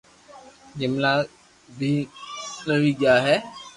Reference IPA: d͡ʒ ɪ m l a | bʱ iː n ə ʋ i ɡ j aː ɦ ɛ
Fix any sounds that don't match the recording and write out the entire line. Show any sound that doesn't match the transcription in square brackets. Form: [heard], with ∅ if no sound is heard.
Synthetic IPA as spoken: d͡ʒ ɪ m l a | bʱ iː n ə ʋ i ɡ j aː ɦ ɛ